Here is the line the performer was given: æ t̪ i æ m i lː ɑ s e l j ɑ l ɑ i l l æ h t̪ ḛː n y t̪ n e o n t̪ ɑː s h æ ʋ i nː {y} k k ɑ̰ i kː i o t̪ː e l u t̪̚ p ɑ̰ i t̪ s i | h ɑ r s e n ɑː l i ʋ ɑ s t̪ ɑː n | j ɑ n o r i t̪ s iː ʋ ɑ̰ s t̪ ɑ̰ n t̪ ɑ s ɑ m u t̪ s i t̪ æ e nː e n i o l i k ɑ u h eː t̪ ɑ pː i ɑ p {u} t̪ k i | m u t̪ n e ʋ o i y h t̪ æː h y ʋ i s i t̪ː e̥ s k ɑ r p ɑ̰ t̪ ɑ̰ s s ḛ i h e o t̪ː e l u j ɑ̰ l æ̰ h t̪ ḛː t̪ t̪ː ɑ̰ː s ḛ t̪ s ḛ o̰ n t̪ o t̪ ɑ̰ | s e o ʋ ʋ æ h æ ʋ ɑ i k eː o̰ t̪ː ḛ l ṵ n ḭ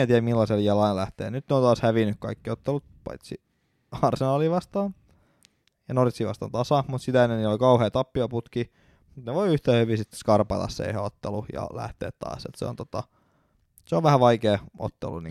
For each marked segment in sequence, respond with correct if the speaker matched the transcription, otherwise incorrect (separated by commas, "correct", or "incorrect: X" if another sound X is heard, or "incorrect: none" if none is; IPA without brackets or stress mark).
correct, correct